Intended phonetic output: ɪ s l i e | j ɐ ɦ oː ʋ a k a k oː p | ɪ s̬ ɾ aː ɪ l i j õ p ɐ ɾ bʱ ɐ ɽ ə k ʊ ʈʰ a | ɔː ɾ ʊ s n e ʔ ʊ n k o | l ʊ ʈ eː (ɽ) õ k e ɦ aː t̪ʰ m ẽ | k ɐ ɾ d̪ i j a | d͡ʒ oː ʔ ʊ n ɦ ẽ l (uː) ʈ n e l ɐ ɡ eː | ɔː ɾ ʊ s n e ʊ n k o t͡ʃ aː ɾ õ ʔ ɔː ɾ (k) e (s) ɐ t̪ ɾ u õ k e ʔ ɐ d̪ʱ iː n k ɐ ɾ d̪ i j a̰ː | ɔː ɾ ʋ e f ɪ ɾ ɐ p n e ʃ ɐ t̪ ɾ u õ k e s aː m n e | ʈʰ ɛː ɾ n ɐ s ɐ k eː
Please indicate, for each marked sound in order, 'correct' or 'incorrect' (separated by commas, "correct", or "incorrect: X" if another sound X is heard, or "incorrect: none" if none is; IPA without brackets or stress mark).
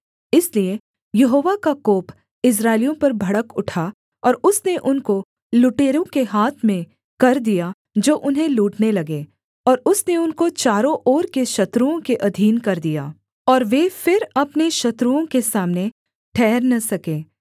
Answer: incorrect: ɾ, correct, correct, incorrect: ʃ